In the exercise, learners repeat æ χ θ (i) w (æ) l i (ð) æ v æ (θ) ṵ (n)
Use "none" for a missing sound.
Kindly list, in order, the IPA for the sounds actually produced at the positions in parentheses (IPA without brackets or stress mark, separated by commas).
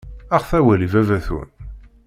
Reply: æ, æ, v, θ, n